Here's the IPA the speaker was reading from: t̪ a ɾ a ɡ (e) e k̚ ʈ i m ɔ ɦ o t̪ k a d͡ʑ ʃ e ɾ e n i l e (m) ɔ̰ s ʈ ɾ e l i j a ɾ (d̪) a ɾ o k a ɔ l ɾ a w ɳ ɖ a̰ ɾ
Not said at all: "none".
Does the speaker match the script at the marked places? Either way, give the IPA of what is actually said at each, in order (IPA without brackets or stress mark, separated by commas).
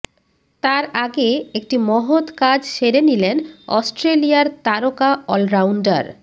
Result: e, n, t̪